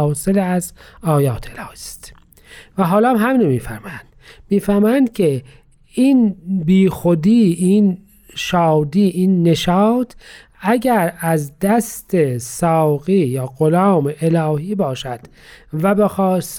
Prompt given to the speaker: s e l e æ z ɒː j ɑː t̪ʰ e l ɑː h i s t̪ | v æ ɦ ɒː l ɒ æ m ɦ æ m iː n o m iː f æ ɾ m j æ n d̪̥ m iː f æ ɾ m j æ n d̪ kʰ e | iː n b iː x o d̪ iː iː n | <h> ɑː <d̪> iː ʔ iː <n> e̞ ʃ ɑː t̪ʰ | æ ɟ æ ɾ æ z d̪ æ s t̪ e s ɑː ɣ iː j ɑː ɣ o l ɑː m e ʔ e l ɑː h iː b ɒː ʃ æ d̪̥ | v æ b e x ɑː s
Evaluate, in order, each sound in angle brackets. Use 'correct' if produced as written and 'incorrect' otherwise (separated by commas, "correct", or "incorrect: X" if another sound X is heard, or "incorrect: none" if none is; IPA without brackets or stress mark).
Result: incorrect: ʃ, correct, incorrect: nː